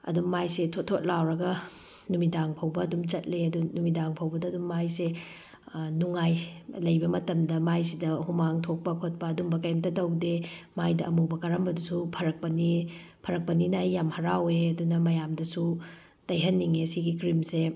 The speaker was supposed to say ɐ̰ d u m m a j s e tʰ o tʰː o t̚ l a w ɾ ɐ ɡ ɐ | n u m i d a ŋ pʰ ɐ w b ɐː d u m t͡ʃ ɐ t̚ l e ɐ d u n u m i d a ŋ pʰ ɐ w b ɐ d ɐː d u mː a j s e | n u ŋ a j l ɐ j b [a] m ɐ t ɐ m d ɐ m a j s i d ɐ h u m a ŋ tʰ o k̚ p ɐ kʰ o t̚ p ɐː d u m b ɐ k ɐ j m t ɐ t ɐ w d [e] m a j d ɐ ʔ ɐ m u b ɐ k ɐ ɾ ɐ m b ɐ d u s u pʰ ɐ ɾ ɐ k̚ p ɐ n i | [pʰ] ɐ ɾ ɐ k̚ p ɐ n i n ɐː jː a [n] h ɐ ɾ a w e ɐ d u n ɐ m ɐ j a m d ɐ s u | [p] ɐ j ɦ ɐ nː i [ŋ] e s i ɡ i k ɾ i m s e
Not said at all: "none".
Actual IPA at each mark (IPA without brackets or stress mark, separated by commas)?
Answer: ɐ, e, pʰ, m, t, ŋ